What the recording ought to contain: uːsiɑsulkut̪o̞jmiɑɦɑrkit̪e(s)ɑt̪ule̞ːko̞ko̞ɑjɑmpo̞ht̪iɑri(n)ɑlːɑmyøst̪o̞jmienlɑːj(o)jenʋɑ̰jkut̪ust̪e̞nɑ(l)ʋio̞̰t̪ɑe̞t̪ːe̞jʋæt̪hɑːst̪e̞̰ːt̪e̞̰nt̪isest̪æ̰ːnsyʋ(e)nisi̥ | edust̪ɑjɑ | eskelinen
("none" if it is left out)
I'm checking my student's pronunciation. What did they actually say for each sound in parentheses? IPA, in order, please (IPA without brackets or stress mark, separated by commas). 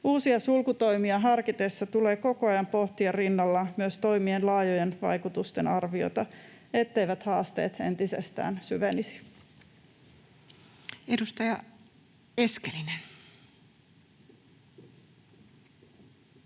sː, nː, o, r, e